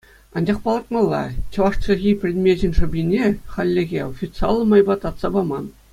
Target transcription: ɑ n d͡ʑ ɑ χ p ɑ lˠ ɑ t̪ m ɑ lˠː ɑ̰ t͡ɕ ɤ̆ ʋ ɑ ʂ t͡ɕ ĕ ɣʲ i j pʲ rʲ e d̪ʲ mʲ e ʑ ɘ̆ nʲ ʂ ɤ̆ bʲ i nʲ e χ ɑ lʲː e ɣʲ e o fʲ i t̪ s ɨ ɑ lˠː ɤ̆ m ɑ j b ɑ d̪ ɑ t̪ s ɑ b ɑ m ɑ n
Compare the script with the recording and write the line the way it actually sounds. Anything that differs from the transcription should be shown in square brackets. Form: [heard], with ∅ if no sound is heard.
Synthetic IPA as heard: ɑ n d͡ʑ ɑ χ p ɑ lˠ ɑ t̪ m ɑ lˠː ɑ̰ t͡ɕ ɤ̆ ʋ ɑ ʂ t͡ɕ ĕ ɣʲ i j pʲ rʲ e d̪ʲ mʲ e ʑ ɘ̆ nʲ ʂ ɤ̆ bʲ i nʲ e χ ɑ lʲː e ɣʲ e o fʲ i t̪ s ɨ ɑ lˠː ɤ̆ m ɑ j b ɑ [t̪] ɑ t̪ s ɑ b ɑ m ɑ n